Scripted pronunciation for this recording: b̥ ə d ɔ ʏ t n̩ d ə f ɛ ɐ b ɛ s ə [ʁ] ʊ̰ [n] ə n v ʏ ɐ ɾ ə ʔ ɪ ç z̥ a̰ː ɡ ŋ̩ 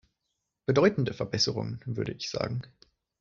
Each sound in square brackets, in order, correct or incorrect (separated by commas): correct, incorrect